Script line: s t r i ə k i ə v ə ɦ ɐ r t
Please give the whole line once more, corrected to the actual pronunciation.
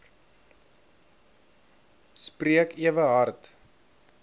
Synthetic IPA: s p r i ə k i ə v ə ɦ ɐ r t